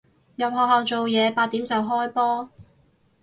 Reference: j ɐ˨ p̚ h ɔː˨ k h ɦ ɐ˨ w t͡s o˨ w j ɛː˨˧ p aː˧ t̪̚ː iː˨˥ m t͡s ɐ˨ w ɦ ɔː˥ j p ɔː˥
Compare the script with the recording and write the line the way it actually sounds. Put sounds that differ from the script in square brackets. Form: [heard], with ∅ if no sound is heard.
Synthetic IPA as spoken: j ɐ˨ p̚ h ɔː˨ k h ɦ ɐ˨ w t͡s o˨ w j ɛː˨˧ p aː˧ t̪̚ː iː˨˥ m t͡s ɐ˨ w ɦ ɔː˥ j p ɔː˥